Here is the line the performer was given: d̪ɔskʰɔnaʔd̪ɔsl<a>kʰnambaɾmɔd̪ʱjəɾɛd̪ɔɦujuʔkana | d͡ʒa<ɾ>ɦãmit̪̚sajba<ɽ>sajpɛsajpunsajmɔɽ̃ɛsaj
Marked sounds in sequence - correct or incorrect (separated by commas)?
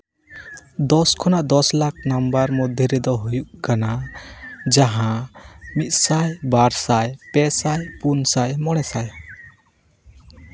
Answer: correct, incorrect, incorrect